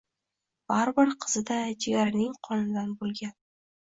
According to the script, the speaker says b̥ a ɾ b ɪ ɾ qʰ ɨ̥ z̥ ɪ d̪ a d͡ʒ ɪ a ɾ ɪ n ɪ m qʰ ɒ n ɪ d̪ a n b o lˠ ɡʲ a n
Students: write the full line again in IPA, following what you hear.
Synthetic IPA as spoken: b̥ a ɾ b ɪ ɾ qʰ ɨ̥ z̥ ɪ d̪ a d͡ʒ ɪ a ɾ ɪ n ɪ ŋ qʰ ɒ n ɪ d̪ a n b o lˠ ɡʲ a n